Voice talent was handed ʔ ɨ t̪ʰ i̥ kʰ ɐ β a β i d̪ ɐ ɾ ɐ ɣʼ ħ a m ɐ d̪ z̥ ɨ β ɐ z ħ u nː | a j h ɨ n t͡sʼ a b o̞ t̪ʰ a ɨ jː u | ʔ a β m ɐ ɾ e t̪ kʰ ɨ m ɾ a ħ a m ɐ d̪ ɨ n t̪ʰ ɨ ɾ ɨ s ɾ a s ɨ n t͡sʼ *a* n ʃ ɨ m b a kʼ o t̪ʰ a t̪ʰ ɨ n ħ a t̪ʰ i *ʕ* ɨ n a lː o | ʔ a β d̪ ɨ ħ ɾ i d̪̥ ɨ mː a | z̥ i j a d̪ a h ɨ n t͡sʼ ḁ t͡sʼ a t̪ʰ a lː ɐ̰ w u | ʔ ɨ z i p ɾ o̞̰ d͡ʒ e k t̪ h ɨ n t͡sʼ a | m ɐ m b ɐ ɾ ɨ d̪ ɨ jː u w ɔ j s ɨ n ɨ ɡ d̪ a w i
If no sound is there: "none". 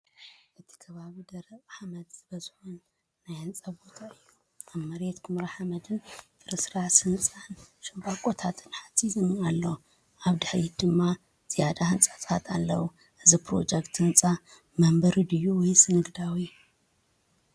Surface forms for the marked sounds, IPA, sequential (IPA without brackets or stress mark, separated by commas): a, z